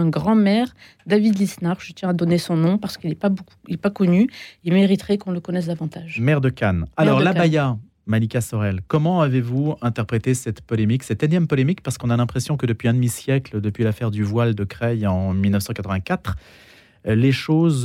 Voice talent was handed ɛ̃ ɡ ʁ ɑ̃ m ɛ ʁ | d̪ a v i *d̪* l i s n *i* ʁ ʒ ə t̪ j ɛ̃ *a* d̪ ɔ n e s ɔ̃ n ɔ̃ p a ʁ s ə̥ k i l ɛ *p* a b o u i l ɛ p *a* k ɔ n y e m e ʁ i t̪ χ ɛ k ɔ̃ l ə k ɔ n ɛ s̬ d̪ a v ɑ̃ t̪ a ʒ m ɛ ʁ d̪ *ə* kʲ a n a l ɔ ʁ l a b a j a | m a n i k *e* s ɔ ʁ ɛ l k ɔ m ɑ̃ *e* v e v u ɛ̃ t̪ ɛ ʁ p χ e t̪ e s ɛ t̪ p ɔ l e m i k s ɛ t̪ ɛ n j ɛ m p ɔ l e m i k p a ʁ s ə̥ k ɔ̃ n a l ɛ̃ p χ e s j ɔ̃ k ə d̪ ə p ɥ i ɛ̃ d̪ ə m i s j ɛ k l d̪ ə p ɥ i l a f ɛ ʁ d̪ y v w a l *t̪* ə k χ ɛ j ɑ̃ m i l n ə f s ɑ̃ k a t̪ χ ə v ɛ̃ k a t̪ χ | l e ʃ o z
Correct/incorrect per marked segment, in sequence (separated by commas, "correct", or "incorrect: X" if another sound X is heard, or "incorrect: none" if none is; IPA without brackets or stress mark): correct, incorrect: a, correct, correct, correct, correct, incorrect: a, incorrect: a, incorrect: d̪